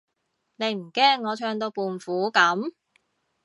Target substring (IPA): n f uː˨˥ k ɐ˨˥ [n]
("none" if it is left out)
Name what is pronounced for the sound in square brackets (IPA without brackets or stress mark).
m